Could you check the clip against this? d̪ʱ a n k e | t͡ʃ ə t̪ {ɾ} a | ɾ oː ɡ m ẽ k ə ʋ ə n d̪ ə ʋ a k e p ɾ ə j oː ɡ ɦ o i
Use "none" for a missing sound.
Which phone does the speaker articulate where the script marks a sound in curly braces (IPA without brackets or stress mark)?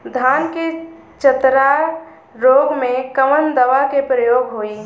ɾ